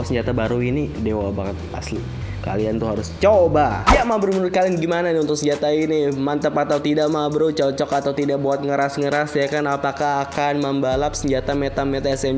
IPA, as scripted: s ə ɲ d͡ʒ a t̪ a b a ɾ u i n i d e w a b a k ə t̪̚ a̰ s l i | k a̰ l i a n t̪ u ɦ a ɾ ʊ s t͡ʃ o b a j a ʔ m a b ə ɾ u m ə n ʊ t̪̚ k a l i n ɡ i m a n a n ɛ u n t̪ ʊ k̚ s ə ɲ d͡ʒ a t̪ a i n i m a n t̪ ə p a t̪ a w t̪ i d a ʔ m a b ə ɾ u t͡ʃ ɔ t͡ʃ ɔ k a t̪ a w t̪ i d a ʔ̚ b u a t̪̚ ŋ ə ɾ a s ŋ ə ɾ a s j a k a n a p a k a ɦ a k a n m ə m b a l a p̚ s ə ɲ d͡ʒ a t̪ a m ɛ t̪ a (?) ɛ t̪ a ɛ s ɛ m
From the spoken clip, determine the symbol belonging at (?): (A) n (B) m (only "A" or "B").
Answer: B